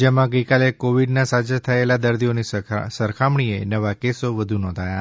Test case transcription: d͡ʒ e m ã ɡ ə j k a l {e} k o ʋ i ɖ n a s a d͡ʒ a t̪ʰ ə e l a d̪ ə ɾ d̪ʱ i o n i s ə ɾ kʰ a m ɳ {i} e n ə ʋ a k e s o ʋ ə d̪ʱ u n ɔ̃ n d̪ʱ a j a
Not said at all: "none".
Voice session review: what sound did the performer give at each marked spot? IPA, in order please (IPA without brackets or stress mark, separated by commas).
e, i